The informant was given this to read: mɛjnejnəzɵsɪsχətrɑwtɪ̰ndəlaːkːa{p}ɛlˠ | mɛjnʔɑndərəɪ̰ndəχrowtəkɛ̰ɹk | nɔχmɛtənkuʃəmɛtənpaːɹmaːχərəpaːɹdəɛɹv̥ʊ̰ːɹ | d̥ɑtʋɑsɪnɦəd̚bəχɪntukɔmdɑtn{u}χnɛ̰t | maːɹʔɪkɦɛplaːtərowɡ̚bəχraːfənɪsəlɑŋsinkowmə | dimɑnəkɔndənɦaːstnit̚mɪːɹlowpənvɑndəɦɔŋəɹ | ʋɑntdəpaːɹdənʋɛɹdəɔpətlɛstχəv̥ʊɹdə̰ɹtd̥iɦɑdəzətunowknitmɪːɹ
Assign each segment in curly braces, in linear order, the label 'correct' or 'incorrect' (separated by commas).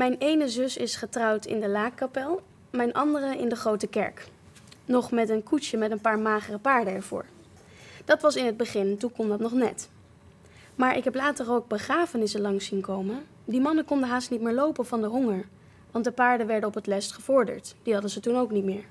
correct, incorrect